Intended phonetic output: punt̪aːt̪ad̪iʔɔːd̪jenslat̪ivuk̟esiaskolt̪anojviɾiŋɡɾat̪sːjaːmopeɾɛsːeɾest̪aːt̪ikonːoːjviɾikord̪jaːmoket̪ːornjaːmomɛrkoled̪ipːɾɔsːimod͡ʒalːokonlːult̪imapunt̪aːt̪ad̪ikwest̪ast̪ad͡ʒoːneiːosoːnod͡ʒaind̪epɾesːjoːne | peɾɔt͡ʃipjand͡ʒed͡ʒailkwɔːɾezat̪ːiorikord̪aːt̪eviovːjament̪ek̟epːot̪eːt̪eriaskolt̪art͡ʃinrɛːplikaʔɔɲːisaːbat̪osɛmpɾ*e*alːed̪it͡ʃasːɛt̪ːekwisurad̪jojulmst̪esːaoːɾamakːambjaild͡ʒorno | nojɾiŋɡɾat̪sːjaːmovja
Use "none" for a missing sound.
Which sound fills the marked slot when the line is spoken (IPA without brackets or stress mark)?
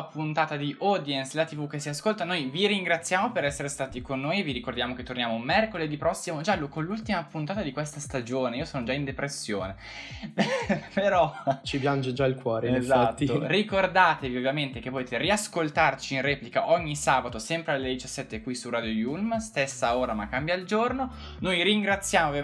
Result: e